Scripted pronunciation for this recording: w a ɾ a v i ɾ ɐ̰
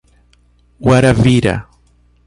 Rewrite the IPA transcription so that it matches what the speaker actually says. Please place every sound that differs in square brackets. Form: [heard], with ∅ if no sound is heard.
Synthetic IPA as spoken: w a ɾ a v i ɾ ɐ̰